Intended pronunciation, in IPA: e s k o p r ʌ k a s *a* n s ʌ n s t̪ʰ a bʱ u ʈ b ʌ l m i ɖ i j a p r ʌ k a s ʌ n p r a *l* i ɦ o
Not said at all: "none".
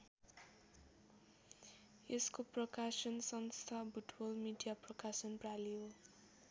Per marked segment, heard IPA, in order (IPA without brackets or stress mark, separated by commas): ʌ, l